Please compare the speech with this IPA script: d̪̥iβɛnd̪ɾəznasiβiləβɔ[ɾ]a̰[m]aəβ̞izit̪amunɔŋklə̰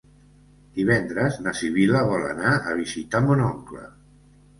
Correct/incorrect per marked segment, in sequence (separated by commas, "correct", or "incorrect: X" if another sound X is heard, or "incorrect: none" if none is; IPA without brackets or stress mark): incorrect: l, incorrect: n